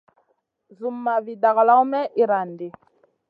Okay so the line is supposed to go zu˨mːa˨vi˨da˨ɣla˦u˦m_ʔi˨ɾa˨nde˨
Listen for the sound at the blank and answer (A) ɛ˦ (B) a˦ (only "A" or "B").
A